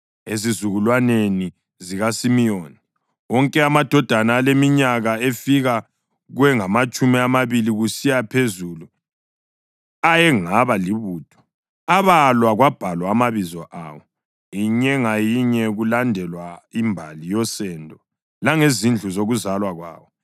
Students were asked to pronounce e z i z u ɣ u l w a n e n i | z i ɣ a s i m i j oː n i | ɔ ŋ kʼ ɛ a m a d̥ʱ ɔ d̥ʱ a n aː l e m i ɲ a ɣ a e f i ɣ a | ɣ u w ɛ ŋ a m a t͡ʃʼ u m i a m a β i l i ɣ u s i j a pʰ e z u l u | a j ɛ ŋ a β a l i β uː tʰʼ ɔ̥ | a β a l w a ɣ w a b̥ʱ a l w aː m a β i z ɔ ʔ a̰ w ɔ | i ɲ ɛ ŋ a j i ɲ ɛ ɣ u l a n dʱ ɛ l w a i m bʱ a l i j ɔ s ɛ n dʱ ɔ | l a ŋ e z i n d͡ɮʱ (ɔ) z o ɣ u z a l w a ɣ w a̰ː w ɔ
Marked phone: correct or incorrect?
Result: incorrect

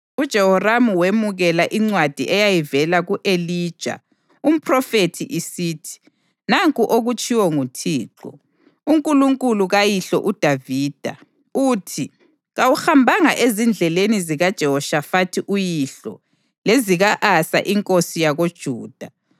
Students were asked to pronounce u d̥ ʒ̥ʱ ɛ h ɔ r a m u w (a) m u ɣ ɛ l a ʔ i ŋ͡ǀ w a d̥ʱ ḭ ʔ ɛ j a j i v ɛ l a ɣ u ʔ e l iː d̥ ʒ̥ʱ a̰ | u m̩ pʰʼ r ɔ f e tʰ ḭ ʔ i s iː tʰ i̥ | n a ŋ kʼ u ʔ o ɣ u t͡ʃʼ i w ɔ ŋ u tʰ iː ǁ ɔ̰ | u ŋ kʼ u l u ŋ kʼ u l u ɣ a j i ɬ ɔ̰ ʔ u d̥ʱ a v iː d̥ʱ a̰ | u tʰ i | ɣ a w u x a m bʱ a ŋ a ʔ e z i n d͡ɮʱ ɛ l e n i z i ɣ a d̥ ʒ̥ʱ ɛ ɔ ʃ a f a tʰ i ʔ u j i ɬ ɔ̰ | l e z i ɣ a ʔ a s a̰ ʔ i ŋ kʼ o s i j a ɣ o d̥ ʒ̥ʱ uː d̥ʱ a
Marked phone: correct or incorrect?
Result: incorrect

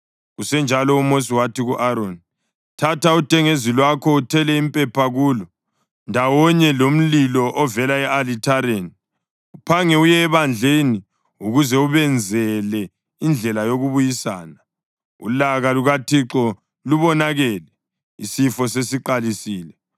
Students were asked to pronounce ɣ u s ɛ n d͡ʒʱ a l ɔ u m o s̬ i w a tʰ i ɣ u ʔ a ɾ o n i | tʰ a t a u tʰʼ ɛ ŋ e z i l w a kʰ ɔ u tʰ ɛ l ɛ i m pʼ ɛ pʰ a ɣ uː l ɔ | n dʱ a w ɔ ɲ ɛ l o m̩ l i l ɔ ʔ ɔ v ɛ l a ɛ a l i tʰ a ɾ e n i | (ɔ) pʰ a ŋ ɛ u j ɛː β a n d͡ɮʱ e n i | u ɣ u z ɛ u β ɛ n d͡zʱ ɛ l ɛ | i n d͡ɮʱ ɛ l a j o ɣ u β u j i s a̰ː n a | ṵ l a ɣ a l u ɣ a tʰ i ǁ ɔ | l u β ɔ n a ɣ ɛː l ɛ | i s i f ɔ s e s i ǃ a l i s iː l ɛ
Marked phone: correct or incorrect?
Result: incorrect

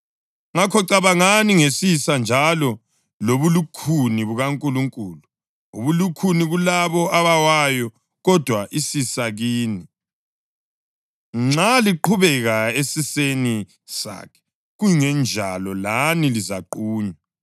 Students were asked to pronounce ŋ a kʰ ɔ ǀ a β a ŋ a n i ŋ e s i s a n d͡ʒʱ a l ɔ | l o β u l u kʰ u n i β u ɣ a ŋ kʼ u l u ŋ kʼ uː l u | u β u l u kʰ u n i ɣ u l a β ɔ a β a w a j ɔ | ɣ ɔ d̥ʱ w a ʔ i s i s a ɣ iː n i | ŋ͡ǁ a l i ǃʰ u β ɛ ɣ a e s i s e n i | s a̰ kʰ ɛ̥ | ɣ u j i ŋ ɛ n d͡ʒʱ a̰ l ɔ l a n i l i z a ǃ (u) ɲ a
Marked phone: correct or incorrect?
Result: incorrect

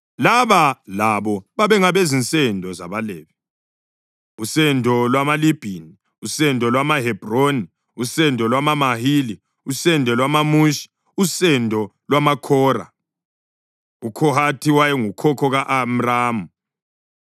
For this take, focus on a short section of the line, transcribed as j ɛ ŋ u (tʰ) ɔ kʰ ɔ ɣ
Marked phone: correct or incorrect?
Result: incorrect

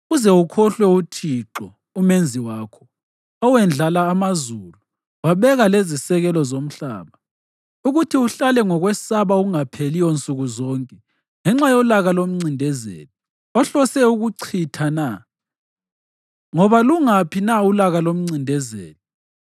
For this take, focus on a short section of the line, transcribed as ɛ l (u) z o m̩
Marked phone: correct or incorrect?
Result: incorrect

